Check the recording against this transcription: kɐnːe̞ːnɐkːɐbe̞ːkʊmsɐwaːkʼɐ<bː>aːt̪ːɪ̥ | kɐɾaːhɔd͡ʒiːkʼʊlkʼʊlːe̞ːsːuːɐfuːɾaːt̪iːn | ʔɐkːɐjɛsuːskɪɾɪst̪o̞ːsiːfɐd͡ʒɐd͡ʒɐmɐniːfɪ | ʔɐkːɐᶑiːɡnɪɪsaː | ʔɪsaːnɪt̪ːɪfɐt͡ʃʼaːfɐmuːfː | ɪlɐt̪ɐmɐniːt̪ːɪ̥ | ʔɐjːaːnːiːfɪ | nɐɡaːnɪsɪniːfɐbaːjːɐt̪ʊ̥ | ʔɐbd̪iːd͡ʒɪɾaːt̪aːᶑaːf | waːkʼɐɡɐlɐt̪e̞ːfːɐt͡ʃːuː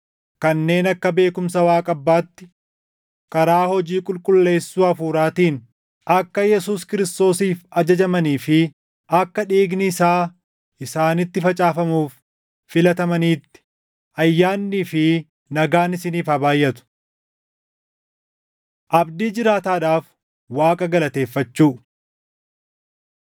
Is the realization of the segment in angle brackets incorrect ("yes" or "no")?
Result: no